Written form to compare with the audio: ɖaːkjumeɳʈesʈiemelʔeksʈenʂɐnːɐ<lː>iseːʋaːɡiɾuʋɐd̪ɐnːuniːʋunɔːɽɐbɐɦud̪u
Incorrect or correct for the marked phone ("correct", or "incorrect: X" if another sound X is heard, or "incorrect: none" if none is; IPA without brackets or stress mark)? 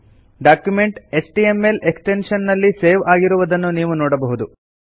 correct